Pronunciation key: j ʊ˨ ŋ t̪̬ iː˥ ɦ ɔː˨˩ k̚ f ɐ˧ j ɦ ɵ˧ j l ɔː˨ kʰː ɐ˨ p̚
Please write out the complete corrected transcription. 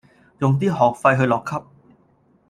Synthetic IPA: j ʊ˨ ŋ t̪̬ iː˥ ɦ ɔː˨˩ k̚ f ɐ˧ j ɦ ɵ˧ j l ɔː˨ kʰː ɐ˥ p̚